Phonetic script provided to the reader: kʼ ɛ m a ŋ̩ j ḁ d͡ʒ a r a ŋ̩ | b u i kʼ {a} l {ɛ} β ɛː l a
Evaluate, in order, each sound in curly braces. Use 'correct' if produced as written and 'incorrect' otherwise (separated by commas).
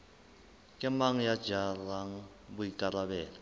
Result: correct, incorrect